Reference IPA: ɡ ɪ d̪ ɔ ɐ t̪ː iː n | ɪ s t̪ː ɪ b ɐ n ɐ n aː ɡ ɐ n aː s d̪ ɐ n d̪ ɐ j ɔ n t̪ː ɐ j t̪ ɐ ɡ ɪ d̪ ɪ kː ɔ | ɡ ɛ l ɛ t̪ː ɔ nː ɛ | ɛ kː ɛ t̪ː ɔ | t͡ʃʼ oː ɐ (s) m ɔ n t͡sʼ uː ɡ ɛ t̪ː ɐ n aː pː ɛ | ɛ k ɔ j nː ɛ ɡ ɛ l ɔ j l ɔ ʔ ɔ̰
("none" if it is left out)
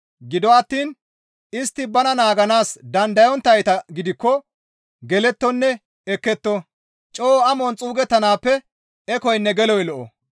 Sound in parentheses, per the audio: none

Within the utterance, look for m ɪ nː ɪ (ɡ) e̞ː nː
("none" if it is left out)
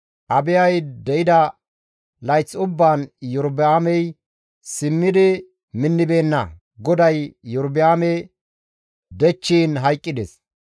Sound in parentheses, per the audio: b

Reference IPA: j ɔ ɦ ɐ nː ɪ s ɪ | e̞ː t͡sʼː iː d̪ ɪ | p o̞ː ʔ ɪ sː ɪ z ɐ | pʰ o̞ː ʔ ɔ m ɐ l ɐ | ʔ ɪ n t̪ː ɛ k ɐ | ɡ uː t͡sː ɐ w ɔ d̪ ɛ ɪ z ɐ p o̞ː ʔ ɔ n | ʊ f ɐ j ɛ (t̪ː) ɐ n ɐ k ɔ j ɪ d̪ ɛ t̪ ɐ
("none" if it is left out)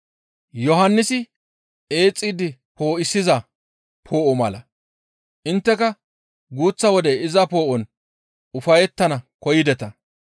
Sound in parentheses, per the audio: t̪ː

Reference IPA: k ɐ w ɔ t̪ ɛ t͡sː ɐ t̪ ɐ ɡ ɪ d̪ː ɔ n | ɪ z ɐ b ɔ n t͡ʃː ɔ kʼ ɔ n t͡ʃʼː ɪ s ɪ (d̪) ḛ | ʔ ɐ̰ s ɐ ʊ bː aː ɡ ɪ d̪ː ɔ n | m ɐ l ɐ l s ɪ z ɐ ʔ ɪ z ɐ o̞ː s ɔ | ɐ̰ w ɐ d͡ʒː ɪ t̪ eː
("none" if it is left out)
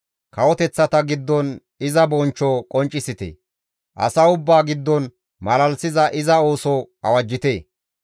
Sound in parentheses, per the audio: t̪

